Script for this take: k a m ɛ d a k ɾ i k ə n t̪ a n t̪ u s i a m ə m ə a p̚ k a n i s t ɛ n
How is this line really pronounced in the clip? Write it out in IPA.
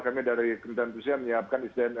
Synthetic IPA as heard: k a m i d a ɾ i k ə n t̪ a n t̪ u s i a m ə ɲ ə a p̚ k a n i s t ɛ n